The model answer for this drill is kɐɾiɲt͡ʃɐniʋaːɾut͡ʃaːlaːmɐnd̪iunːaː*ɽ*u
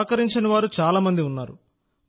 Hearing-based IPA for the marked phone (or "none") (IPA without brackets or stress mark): ɾ